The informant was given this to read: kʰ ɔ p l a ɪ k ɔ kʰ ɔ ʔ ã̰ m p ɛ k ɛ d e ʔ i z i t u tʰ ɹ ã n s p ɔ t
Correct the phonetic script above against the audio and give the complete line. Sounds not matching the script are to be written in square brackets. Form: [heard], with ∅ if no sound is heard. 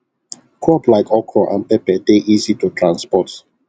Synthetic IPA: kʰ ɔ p l a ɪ k ɔ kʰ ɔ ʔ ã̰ [n] p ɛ [p] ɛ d e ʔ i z i t u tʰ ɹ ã n s p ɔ t